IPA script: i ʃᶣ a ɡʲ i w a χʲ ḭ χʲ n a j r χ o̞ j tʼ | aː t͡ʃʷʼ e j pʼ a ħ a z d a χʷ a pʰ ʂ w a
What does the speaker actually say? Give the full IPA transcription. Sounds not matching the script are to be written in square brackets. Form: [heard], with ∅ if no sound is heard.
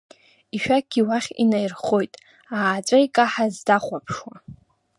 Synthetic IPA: i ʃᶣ a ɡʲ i w a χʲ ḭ [∅] n a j r χ o̞ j tʼ | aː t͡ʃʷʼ [a] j [kʼ] a ħ a z d a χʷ a pʰ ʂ w a